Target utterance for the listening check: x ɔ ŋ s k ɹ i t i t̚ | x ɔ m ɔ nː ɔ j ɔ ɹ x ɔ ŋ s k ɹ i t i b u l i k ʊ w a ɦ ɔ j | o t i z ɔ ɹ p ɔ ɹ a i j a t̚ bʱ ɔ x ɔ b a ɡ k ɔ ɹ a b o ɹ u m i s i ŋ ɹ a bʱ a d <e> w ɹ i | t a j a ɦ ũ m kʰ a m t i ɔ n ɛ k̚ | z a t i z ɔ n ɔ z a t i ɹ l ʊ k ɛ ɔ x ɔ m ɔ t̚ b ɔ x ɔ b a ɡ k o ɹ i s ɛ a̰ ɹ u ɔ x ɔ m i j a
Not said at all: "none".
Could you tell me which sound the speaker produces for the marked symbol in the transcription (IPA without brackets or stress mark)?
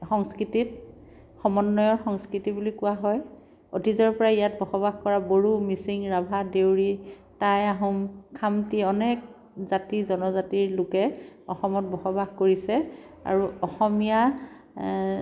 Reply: e